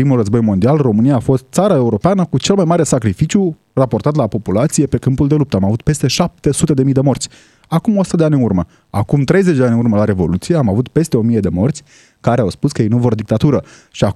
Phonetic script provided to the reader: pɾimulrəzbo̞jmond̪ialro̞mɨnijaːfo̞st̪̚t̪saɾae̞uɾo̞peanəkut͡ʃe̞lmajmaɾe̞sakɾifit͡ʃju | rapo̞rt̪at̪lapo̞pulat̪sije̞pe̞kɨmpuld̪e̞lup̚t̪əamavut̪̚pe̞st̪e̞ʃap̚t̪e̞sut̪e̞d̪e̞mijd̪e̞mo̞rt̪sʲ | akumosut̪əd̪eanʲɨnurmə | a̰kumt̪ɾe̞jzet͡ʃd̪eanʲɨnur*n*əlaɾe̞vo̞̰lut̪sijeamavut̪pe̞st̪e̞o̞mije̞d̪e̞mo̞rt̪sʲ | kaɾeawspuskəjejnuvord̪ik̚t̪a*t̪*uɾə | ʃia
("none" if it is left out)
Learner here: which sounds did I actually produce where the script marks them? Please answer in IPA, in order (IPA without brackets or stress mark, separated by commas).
m, t̪